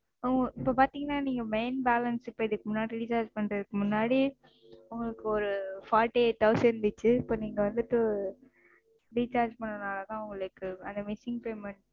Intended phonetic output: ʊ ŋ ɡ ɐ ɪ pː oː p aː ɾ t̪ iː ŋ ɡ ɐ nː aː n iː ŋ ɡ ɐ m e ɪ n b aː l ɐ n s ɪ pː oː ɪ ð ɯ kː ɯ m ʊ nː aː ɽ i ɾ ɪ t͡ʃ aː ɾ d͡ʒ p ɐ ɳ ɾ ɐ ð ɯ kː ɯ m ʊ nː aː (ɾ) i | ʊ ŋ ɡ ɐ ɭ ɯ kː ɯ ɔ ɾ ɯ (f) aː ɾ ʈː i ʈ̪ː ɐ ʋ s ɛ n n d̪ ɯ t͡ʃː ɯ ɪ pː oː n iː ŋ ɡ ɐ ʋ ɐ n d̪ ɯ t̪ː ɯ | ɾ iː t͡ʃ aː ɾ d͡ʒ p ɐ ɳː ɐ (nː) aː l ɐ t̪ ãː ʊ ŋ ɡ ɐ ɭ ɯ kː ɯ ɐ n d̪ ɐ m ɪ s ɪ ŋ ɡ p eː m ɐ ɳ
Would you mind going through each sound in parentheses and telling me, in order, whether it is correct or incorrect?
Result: incorrect: ɽ, correct, incorrect: n

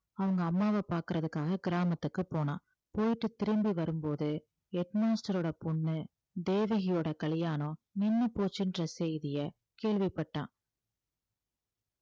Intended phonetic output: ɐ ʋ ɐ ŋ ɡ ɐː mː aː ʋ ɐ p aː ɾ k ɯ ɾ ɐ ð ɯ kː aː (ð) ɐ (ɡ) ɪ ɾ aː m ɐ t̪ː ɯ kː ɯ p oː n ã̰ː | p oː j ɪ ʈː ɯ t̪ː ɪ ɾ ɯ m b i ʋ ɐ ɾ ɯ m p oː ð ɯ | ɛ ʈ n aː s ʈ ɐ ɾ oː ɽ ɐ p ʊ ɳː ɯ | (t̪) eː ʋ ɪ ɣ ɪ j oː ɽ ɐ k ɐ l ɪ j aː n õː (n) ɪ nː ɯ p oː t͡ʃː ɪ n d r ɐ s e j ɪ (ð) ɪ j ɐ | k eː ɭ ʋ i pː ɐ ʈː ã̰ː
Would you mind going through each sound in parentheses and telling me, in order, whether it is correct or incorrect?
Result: incorrect: ɣ, correct, incorrect: d̪, correct, correct

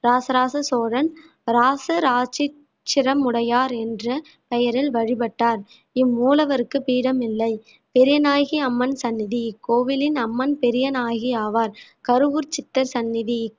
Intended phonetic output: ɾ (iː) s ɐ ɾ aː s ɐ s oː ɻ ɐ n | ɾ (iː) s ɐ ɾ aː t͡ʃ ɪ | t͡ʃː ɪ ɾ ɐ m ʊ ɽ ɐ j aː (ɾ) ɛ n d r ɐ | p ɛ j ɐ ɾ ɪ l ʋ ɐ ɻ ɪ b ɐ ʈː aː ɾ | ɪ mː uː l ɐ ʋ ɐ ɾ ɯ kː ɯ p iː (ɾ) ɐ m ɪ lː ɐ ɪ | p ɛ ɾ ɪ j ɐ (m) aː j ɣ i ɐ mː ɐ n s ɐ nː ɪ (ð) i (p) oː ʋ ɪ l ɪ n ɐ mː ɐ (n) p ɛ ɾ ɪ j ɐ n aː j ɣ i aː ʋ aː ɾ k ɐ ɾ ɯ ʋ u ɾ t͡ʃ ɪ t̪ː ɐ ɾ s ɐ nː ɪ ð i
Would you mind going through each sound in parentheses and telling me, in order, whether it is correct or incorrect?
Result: incorrect: aː, incorrect: aː, correct, incorrect: ɽ, incorrect: n, correct, incorrect: k, correct

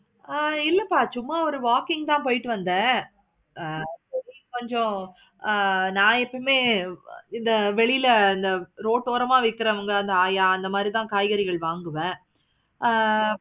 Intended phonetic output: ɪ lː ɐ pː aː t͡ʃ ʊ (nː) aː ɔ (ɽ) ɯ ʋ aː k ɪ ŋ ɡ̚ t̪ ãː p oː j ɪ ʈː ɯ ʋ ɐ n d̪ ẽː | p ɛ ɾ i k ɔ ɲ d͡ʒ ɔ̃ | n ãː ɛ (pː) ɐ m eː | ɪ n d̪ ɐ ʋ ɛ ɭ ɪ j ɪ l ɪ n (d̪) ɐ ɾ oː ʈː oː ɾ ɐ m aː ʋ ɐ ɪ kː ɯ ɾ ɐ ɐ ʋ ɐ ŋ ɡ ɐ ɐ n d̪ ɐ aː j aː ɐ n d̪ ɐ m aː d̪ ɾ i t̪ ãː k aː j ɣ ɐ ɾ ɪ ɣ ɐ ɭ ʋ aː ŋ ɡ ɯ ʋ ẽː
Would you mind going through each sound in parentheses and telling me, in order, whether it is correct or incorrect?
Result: incorrect: mː, incorrect: ɾ, correct, correct

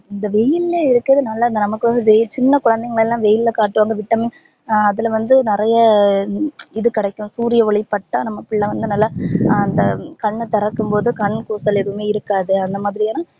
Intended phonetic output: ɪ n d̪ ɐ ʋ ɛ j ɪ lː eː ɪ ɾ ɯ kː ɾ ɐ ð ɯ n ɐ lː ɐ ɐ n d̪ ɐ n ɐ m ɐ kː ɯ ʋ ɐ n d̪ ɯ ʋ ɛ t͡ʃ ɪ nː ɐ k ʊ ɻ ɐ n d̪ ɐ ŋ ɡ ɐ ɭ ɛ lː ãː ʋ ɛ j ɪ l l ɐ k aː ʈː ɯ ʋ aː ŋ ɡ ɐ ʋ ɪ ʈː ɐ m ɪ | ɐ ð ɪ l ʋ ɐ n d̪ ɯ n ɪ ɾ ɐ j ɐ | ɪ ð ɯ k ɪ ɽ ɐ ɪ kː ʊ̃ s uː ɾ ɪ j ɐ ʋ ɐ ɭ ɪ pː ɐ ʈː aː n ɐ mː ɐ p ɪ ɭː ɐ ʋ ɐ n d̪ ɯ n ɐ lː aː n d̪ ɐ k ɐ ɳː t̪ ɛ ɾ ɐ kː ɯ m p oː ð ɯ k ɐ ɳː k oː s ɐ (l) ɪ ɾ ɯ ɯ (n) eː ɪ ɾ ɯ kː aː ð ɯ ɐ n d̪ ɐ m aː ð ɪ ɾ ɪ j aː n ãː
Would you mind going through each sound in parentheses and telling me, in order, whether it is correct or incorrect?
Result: correct, incorrect: m

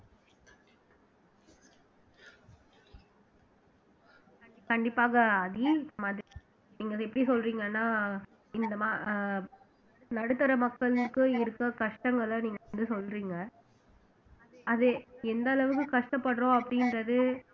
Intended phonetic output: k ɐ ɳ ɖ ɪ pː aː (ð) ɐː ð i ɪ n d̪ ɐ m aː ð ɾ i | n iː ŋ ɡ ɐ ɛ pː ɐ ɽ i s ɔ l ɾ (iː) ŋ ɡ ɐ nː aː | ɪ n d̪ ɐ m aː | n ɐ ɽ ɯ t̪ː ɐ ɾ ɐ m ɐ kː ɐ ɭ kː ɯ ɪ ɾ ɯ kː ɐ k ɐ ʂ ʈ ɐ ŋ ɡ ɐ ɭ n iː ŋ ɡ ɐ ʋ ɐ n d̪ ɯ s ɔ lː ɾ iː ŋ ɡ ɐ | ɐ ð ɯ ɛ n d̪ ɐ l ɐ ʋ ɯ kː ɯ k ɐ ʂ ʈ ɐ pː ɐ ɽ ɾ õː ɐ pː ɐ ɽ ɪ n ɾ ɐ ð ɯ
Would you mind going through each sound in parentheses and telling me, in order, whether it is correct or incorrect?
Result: incorrect: ɣ, correct

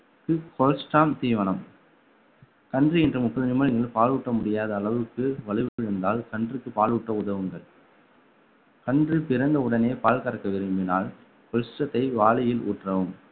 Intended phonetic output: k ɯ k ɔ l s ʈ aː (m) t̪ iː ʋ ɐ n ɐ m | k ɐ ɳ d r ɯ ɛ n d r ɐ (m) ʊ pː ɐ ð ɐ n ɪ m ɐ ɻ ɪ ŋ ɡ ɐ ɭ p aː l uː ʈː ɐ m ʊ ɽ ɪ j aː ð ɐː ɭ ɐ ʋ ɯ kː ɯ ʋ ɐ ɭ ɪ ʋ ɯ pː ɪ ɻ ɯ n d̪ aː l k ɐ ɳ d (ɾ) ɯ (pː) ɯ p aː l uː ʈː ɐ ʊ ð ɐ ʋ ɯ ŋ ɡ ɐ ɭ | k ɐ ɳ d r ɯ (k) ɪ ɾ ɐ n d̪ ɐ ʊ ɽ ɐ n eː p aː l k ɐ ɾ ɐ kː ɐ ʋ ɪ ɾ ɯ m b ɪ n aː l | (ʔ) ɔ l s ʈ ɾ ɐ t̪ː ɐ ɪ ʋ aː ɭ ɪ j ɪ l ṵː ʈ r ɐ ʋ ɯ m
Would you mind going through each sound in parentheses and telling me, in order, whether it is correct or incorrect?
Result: correct, correct, incorrect: r, incorrect: kː, incorrect: p, incorrect: k

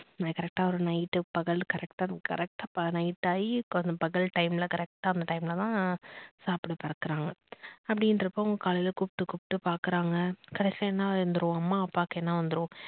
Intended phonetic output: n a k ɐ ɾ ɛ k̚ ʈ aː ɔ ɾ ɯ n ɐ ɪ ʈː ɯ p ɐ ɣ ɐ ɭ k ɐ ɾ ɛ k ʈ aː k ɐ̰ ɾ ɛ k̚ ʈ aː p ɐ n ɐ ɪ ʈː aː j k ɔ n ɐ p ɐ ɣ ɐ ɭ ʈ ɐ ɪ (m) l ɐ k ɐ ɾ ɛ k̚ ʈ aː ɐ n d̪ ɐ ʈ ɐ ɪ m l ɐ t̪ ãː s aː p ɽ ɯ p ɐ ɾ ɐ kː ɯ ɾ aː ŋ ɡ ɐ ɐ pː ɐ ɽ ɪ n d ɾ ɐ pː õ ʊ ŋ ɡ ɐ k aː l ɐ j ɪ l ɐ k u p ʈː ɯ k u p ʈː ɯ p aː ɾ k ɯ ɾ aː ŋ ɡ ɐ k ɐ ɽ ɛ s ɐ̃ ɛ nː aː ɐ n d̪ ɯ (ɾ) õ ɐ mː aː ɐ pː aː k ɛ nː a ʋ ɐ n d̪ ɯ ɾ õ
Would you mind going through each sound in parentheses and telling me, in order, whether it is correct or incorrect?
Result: correct, correct

